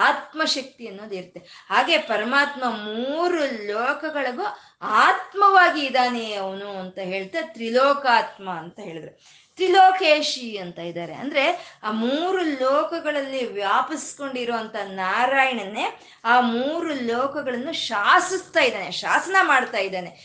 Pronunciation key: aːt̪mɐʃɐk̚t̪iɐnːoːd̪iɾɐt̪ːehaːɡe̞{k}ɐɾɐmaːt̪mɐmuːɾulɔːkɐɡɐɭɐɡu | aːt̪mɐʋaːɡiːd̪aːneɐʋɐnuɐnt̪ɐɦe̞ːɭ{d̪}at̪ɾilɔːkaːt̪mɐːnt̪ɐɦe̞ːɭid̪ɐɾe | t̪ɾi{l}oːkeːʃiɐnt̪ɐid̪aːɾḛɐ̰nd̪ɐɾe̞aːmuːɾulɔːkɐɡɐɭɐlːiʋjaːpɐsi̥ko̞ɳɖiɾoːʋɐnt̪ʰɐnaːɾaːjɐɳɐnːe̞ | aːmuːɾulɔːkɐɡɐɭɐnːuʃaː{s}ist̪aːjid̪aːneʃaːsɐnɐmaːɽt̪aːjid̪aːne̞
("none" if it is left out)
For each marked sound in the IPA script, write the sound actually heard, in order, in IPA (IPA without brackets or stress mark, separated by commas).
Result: p, t̪, l, s